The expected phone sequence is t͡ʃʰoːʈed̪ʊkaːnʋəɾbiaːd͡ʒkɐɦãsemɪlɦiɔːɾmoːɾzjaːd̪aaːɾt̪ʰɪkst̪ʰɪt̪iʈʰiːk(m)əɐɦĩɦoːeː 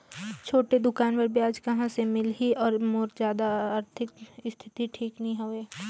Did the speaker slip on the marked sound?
yes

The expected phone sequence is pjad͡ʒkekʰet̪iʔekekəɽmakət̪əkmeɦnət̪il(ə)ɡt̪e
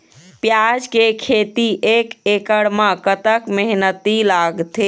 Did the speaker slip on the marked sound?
yes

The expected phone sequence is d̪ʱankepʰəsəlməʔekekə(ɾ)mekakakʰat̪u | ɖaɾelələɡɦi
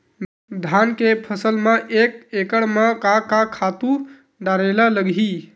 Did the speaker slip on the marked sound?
yes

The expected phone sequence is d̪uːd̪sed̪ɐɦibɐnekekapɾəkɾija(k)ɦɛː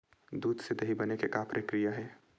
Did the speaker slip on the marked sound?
yes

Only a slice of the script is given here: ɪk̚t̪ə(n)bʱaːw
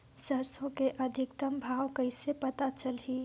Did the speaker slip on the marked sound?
yes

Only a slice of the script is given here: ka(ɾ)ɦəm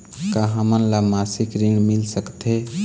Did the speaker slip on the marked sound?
yes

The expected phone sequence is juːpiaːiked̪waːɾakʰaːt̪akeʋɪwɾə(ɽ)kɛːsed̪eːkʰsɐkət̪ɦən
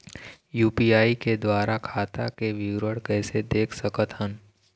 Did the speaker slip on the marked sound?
no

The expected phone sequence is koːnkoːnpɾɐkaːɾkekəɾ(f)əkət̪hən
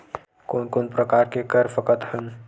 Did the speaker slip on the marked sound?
no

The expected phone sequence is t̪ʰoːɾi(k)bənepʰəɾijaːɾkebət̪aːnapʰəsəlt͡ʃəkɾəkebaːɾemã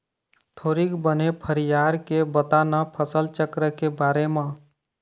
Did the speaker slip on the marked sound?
no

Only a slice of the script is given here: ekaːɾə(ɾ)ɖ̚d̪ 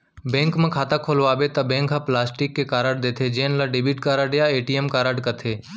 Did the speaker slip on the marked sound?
yes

